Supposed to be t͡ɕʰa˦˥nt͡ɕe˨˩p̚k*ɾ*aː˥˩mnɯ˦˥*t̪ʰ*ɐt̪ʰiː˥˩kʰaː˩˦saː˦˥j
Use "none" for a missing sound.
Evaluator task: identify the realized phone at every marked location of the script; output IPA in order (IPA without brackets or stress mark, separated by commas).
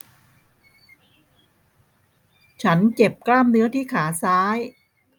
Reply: l, none